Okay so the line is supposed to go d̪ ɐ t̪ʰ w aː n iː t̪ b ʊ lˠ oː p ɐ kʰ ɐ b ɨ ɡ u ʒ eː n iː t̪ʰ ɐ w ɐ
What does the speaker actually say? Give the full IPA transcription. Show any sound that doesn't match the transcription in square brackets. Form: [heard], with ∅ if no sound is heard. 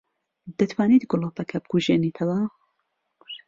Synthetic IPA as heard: d̪ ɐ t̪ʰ w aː n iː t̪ [ɡ] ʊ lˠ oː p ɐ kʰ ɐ b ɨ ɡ u ʒ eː n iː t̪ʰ ɐ w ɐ